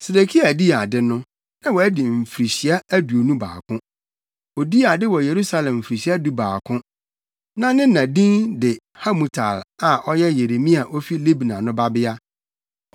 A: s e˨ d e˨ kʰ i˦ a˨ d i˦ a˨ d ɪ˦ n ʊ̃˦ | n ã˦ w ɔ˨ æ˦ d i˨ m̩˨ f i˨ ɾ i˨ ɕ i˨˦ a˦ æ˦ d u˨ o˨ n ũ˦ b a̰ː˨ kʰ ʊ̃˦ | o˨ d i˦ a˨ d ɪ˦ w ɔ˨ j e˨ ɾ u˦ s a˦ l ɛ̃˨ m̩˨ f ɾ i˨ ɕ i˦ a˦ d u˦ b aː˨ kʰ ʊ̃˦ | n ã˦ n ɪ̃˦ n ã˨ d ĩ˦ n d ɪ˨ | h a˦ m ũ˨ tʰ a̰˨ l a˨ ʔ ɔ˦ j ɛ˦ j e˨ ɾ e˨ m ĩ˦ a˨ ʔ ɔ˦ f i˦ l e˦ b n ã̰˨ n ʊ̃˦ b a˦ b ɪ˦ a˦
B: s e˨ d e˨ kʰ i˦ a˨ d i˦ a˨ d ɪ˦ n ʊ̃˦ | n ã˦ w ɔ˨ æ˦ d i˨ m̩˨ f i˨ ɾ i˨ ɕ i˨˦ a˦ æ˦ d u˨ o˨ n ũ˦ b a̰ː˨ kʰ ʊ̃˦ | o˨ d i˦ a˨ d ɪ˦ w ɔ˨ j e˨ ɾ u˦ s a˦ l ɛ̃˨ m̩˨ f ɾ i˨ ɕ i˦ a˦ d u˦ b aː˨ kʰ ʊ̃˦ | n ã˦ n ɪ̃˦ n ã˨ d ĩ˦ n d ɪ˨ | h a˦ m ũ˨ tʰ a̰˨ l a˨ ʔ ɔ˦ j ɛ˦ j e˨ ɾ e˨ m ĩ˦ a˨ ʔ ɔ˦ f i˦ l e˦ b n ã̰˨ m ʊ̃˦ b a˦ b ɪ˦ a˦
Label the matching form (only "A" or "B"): A